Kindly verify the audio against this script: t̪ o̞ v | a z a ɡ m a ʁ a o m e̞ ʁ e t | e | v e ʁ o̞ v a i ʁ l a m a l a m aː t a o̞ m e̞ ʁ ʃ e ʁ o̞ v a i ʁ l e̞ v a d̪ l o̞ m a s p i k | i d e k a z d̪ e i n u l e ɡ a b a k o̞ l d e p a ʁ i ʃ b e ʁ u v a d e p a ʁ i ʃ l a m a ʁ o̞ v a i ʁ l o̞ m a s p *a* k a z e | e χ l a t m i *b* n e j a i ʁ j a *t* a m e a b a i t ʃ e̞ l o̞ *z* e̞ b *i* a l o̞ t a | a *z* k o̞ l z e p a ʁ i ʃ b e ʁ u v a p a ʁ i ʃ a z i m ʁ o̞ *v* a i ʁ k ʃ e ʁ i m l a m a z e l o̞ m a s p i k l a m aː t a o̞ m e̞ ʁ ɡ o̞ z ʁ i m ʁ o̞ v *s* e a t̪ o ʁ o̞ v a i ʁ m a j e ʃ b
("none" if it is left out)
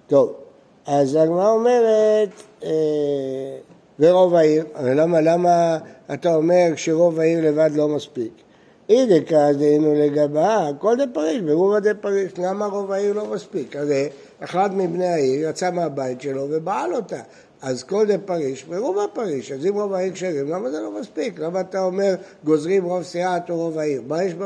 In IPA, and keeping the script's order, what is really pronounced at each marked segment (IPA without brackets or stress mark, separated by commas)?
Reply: i, b, t͡s, v, a, z, v, s